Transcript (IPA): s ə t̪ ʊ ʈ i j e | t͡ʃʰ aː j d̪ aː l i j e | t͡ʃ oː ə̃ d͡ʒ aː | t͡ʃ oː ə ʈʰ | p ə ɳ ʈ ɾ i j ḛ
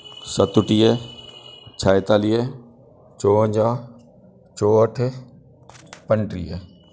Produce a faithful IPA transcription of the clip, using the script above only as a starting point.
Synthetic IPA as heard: s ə t̪ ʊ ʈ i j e | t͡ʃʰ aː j t̪ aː l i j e | t͡ʃ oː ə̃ d͡ʒ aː | t͡ʃ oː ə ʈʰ | p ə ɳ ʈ ɾ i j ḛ